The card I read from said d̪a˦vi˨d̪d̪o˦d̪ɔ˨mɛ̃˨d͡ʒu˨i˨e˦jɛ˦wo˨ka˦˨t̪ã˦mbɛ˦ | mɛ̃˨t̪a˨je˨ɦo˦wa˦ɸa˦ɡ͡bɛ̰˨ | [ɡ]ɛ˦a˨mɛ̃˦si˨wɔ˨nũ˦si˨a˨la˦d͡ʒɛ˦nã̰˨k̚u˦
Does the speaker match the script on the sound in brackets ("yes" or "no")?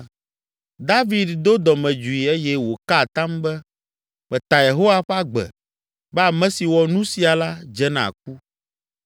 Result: no